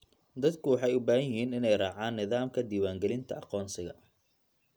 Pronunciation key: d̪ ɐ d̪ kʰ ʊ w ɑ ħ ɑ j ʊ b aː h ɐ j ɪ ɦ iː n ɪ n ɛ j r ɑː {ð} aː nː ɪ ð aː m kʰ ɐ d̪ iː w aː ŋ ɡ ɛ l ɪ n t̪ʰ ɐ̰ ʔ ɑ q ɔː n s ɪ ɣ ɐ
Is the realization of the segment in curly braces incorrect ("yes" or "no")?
yes